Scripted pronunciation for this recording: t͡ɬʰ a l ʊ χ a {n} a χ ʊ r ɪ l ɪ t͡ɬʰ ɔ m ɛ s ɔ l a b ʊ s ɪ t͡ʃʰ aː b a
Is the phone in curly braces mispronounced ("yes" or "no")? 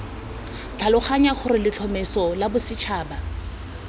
yes